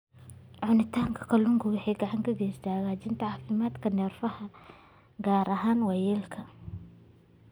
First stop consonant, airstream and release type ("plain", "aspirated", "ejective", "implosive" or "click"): aspirated